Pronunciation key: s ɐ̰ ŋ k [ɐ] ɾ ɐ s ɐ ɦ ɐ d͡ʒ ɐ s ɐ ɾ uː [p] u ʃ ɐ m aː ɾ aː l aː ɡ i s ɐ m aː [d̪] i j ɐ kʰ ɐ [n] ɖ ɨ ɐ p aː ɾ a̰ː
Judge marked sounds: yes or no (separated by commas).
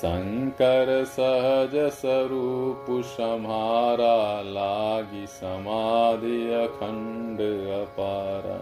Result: yes, yes, yes, no